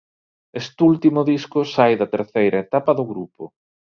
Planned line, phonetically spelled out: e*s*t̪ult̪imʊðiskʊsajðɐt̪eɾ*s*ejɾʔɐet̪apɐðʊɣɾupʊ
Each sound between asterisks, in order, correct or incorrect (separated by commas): correct, incorrect